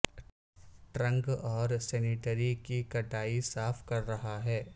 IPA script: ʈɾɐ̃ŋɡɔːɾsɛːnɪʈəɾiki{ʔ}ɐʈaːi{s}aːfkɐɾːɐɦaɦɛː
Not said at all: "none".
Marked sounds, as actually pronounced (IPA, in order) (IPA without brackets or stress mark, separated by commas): k, s